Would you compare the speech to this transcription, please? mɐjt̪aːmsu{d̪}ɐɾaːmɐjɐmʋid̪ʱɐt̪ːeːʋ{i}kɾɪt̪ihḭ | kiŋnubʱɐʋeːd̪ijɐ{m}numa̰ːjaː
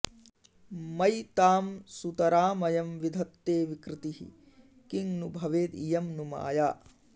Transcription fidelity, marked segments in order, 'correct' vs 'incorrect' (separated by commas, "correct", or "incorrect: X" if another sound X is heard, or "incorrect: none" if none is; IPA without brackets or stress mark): incorrect: t̪, correct, correct